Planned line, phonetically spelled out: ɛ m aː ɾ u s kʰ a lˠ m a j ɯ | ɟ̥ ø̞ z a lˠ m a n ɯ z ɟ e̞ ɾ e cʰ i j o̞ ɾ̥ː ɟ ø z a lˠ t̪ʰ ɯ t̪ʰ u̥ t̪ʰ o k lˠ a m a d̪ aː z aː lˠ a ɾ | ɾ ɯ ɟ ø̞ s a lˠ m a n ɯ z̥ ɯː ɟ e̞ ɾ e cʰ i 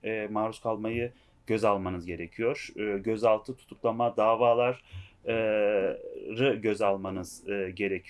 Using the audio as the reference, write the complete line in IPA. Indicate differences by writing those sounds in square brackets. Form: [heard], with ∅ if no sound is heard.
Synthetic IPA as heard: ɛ m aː ɾ u s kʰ a lˠ m a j ɯ | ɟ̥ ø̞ z a lˠ m a n ɯ z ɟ e̞ ɾ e cʰ i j o̞ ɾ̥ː ɟ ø z a lˠ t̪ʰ ɯ t̪ʰ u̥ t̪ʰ [u] k lˠ a m a d̪ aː [v] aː lˠ a ɾ | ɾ ɯ ɟ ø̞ [z] a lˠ m a n ɯ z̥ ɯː ɟ e̞ ɾ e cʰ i